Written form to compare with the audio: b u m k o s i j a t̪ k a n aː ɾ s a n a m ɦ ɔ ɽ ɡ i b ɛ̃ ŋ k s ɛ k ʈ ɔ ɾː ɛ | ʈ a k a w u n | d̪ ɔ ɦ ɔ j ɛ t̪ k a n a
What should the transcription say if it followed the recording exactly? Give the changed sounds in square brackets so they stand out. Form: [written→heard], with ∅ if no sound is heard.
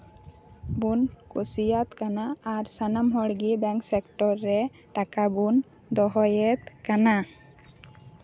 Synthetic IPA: b u [m→n] k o s i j a t̪ k a n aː ɾ s a n a m ɦ ɔ ɽ ɡ i b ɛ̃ ŋ k s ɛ k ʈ ɔ ɾː ɛ | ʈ a k a [w→b] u n | d̪ ɔ ɦ ɔ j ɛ t̪ k a n a